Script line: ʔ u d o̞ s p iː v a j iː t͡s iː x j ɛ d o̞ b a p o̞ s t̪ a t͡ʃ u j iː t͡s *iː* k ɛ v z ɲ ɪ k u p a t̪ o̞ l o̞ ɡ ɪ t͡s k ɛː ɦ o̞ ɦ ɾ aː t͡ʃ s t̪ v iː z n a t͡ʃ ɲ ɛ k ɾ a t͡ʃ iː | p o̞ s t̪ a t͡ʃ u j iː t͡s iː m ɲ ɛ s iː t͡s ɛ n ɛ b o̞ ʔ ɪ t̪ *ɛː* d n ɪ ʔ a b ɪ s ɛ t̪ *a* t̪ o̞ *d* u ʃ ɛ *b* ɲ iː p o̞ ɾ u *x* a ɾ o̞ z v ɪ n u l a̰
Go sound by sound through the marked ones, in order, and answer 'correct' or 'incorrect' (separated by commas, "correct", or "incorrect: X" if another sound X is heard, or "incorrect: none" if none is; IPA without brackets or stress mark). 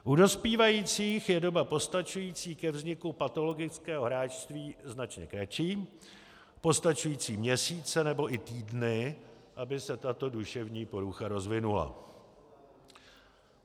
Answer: correct, incorrect: iː, correct, correct, incorrect: v, correct